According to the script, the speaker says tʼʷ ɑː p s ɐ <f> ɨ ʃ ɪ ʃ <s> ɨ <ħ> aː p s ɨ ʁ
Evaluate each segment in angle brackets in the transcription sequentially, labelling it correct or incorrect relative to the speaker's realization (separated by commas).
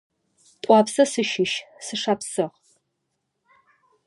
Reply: incorrect, correct, incorrect